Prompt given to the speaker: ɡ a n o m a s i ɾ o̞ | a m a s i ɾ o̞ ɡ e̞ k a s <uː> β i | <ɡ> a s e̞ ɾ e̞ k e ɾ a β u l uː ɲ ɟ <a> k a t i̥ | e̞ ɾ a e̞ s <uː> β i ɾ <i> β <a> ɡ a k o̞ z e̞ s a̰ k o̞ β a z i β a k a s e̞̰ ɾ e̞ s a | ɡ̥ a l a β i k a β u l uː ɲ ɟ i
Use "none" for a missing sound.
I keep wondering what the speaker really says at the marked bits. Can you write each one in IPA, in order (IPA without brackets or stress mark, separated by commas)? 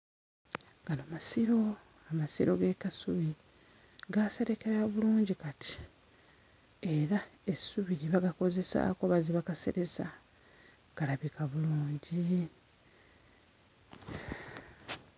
u, ɡ, i, u, i, a